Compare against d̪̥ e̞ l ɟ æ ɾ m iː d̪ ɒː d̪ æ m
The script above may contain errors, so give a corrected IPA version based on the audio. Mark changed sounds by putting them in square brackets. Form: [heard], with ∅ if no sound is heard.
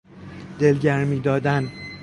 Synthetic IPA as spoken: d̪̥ e̞ l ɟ æ ɾ m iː d̪ ɒː d̪ æ [n]